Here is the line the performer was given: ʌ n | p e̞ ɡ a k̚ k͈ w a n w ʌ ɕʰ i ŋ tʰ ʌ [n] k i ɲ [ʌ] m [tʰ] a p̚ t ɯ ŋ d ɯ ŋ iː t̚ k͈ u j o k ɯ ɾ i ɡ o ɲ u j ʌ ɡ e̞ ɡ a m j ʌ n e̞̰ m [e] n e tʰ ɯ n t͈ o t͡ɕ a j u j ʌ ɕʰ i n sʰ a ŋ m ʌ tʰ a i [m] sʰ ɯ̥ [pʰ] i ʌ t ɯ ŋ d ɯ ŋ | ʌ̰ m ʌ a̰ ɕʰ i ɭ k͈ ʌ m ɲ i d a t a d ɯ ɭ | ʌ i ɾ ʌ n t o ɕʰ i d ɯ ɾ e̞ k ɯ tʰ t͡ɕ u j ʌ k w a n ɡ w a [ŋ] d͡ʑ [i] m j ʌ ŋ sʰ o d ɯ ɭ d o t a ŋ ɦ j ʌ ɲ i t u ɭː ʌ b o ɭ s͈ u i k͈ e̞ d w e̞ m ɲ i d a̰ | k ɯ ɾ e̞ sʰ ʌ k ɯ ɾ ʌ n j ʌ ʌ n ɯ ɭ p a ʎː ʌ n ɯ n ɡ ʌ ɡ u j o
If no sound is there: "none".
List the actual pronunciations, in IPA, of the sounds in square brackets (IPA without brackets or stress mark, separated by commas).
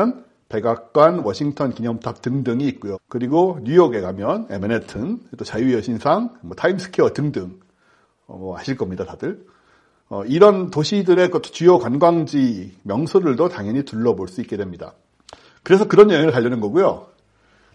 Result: n, ʌ, tʰ, e, m, kʰ, ŋ, i